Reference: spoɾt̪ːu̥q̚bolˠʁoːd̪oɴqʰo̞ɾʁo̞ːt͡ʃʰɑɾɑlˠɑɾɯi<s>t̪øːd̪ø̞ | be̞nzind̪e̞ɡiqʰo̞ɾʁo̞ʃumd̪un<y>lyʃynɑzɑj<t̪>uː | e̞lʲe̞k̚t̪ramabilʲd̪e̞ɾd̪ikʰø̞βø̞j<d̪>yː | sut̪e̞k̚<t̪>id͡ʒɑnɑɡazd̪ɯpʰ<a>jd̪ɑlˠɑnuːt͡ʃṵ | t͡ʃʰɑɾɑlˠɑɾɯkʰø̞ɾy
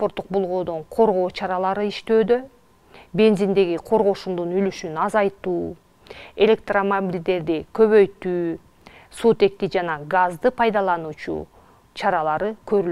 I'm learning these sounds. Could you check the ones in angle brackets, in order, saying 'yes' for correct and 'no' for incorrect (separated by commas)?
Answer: no, yes, yes, no, yes, no